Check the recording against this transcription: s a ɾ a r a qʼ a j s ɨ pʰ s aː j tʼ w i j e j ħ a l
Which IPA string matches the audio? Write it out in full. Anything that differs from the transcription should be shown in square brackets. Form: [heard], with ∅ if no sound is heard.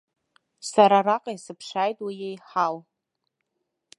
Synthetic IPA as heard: s a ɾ a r a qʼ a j s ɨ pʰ [ʂ] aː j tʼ w i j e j ħ a l